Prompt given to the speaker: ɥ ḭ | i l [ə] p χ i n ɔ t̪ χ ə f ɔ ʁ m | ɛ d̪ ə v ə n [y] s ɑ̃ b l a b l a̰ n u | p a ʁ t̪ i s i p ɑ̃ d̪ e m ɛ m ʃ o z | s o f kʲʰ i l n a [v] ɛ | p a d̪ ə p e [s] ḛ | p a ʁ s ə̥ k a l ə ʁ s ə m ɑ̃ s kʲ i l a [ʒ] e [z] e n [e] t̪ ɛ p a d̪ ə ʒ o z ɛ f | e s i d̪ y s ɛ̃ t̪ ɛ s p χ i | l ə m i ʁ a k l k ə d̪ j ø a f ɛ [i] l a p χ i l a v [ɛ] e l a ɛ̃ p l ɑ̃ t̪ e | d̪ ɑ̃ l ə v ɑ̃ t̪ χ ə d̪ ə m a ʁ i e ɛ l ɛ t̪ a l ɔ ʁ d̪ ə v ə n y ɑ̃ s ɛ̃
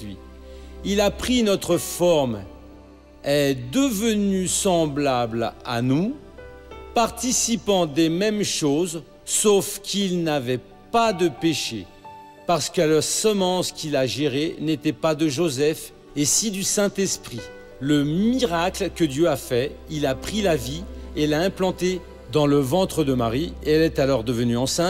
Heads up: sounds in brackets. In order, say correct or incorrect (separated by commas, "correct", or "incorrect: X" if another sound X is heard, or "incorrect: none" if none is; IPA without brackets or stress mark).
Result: incorrect: a, correct, correct, incorrect: ʃ, correct, incorrect: ʁ, correct, correct, incorrect: i